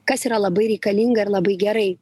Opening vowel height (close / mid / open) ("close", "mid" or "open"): open